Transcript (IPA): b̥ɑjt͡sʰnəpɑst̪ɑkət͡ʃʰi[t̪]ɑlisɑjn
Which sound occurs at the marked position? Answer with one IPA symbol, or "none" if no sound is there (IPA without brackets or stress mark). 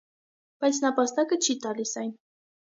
t̪